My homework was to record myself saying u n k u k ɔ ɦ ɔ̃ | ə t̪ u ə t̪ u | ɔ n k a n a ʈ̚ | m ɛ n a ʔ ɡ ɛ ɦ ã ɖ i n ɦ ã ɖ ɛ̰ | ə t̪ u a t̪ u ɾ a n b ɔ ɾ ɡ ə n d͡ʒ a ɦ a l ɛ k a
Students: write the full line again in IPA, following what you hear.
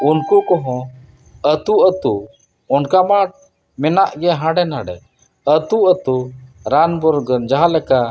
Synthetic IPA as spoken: u n k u k ɔ ɦ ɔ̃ | ə t̪ u ə t̪ u | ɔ n k a m a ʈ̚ | m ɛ n a ʔ ɡ ɛ ɦ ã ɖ ɛ n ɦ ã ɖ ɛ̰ | ə t̪ u ə t̪ u ɾ a n b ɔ ɾ ɡ ə n d͡ʒ a ɦ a l ɛ k a